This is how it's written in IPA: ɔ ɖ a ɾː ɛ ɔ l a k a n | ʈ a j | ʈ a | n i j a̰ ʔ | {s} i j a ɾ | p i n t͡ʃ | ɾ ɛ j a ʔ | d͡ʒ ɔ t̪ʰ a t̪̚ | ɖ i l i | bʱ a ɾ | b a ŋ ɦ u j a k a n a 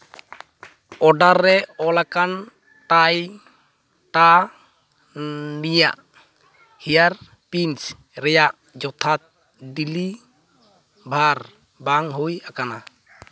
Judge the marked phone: incorrect: h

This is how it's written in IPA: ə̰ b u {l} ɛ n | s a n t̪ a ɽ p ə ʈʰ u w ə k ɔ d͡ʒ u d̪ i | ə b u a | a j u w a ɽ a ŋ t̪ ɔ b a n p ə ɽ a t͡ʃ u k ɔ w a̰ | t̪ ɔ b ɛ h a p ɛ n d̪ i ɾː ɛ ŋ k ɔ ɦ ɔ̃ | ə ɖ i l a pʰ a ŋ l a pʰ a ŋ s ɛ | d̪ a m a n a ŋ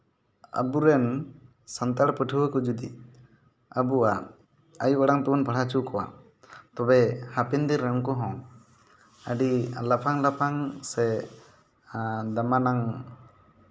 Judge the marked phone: incorrect: ɾ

